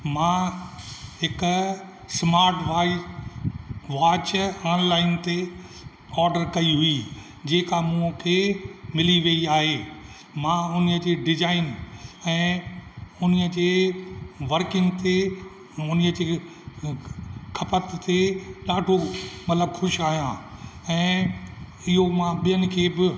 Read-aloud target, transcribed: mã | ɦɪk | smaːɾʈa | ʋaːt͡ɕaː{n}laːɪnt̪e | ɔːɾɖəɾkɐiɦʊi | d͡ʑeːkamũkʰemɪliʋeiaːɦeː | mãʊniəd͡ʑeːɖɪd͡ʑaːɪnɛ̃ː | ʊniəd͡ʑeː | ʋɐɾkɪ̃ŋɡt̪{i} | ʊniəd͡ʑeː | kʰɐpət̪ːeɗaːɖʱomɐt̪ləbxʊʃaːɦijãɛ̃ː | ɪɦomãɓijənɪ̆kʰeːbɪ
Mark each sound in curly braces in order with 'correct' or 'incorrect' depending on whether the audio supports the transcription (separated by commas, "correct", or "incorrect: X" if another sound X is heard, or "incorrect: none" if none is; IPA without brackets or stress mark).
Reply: correct, incorrect: e